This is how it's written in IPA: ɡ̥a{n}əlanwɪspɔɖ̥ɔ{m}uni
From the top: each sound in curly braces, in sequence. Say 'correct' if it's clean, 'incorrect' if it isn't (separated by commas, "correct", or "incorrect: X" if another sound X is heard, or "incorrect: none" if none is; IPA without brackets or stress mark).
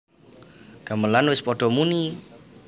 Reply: incorrect: m, correct